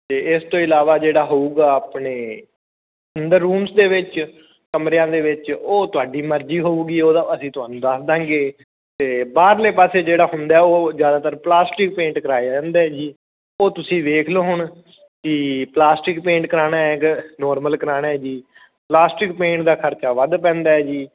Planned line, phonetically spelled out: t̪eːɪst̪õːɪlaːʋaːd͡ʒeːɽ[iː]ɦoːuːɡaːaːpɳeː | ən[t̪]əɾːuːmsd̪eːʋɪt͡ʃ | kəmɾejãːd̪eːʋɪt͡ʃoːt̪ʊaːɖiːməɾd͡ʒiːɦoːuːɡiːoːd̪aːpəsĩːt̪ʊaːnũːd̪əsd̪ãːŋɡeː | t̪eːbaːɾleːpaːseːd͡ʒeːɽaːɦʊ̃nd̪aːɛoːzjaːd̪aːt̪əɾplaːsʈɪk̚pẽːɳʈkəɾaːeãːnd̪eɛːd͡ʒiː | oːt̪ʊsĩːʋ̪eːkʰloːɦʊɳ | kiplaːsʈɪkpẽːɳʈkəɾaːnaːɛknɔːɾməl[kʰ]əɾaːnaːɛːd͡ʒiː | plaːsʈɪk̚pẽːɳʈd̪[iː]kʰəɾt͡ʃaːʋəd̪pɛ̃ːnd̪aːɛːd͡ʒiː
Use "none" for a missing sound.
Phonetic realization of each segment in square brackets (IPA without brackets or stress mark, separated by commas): aː, d̪, k, aː